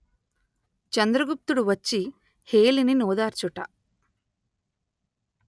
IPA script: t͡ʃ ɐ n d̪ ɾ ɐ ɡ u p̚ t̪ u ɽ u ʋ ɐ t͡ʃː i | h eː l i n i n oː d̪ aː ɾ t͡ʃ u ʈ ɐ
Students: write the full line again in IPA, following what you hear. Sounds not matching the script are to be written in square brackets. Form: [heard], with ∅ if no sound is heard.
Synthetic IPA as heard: t͡ʃ ɐ n d̪ ɾ ɐ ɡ u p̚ t̪ u ɽ u ʋ ɐ t͡ʃː i | h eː l i n i n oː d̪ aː ɾ t͡ʃ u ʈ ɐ